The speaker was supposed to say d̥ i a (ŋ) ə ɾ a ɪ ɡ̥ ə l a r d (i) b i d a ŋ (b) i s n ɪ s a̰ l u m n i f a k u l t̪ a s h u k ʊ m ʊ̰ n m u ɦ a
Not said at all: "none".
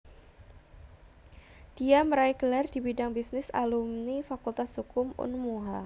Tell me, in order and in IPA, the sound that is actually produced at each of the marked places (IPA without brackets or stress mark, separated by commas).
m, i, b